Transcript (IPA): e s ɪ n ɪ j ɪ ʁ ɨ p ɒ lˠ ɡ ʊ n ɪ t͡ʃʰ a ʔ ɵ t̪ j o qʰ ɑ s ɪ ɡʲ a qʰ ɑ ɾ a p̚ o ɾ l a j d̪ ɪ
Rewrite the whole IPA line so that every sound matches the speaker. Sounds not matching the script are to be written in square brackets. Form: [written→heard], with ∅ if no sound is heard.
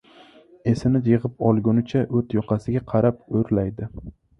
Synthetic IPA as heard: e s ɪ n ɪ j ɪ ʁ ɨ p ɒ lˠ ɡ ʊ n ɪ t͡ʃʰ a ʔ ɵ t̪ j [o→ɒ] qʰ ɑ s ɪ ɡʲ a qʰ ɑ ɾ a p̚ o ɾ l a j d̪ ɪ